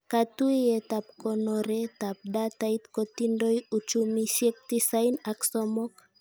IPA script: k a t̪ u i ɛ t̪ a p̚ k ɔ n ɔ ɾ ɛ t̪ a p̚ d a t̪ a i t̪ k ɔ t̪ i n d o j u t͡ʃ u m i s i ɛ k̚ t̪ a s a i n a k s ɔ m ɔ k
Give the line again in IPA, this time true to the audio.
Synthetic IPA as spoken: k a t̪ u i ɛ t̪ a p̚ k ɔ n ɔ ɾ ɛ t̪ a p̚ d a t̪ a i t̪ k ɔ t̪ i n d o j u t͡ʃ u m i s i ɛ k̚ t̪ i s a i n a k s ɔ m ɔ k